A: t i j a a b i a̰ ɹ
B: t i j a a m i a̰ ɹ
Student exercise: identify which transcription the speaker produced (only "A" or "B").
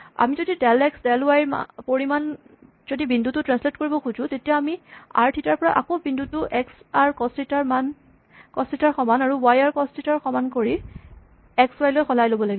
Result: B